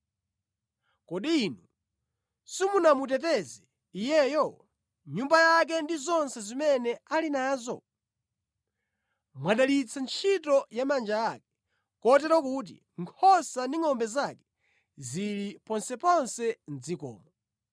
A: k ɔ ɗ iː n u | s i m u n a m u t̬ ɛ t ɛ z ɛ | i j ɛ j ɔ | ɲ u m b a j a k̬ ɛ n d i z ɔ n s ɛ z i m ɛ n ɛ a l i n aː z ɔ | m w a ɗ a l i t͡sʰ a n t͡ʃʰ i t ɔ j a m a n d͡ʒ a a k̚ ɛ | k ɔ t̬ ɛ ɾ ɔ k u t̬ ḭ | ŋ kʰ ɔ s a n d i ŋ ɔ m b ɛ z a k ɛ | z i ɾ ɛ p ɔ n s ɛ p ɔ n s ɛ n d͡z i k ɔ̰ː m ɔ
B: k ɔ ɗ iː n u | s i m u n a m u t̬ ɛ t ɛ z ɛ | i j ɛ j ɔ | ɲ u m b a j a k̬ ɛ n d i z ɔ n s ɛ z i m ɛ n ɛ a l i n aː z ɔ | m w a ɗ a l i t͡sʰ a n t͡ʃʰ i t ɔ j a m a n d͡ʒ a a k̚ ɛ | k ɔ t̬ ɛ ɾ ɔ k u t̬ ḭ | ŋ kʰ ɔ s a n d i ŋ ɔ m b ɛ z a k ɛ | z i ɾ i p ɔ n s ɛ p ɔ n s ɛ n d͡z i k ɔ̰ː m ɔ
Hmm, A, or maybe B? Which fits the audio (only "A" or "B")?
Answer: B